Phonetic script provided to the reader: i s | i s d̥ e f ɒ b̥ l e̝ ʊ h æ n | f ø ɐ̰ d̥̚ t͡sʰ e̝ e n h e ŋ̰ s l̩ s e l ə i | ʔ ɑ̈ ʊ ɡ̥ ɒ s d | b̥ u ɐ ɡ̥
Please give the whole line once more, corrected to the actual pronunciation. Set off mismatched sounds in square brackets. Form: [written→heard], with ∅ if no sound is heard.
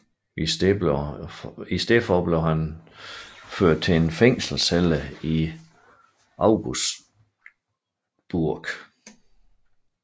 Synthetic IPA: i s | i s d̥ e f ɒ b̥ l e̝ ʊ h æ n | f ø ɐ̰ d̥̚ t͡sʰ e̝ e n [h→f] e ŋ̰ s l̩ s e l ə i | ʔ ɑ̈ ʊ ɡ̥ [ɒ→u] s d | b̥ u ɐ ɡ̥